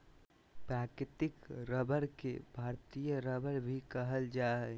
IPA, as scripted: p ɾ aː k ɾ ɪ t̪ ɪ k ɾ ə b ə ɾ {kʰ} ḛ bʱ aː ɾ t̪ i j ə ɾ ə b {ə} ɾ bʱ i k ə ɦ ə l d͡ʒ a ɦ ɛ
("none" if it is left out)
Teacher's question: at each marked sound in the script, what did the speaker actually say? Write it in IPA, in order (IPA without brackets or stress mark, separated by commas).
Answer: k, ə